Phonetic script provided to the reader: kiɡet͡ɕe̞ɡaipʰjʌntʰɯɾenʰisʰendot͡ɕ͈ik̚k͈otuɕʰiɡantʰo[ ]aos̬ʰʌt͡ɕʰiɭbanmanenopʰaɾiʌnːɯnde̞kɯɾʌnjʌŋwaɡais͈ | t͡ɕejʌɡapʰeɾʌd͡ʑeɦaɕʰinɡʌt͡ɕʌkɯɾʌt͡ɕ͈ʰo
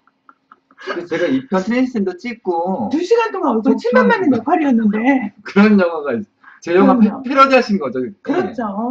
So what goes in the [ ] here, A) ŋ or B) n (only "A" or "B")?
A